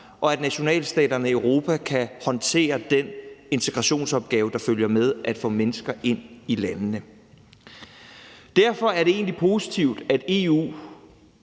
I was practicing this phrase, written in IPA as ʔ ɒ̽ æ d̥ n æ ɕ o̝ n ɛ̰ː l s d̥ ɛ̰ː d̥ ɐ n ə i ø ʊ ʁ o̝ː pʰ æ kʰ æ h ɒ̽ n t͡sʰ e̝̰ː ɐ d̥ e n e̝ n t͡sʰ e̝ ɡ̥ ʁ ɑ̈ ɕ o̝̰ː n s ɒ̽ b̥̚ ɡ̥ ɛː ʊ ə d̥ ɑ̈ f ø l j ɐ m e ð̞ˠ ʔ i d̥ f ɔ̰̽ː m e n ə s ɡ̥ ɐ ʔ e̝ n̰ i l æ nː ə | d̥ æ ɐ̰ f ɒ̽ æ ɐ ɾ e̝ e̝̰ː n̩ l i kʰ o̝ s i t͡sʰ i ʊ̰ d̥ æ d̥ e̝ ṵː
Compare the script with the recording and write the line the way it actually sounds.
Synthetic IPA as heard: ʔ ɒ̽ æ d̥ n æ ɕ o̝ n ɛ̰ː l s d̥ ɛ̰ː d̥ ɐ n ə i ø ʊ ʁ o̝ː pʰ æ kʰ æ h ɒ̽ n t͡sʰ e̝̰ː ɐ d̥ e n e̝ n t͡sʰ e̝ ɡ̥ ʁ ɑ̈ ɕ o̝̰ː n s ɒ̽ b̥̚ ɡ̥ ɛː ʊ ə d̥ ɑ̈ f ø l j ɐ m e ð̞ˠ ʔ æ d̥ f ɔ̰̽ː m e n ə s ɡ̥ ɐ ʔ e̝ n̰ i l æ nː ə | d̥ æ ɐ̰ f ɒ̽ æ ɐ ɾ e̝ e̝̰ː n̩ l i pʰ o̝ s i t͡sʰ i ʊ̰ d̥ æ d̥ e̝ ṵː

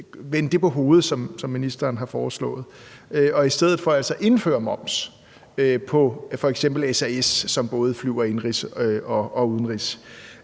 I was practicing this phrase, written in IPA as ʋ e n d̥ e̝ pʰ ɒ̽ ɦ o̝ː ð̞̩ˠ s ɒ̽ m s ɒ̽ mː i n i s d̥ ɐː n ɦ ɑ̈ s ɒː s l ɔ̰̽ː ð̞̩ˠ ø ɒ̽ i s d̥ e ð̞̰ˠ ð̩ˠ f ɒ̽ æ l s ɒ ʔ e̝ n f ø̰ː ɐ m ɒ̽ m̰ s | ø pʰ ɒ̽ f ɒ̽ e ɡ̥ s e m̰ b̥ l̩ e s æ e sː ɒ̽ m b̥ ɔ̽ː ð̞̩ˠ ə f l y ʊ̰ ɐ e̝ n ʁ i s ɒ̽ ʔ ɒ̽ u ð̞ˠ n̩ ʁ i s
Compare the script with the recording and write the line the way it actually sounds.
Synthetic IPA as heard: ʋ e n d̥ e̝ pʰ ɒ̽ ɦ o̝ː ð̞̩ˠ s ɒ̽ m s ɒ̽ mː i n i s d̥ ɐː n ɦ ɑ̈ f ɒː s l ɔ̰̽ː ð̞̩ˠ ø ɒ̽ i s d̥ e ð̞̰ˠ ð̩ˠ f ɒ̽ æ l s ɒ ʔ e̝ n f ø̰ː ɐ m ɒ̽ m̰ s | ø pʰ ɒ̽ f ɒ̽ e ɡ̥ s e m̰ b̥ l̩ e s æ e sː ɒ̽ m b̥ ɔ̽ː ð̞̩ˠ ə f l y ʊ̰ ɐ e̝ n ʁ i s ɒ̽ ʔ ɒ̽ u ð̞ˠ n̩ ʁ i s

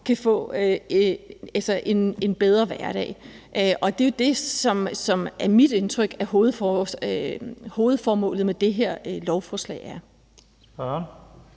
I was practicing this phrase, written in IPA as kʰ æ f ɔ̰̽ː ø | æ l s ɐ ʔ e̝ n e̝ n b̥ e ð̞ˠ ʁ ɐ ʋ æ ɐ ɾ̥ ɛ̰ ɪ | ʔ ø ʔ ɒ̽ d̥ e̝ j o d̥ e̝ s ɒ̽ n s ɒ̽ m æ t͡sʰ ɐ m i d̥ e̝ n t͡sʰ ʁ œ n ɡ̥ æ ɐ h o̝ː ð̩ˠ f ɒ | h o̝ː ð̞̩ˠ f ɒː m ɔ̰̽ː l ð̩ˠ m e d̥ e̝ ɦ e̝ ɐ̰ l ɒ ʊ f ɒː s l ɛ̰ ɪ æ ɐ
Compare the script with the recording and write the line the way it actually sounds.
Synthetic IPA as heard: kʰ æ f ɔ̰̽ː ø | æ l s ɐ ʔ e̝ n e̝ n b̥ e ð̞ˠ ʁ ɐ ʋ æ ɐ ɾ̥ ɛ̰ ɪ | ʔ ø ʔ ɒ̽ d̥ e̝ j o d̥ e̝ s ɒ̽ m s ɒ̽ m æ ɐ m i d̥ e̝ n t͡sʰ ʁ œ ɡ̥ æ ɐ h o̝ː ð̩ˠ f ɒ | h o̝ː ð̞̩ˠ f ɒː m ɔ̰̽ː l ð̩ˠ m e d̥ e̝ ɦ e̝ ɐ̰ l ɒ ʊ f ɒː s l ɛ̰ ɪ æ ɐ

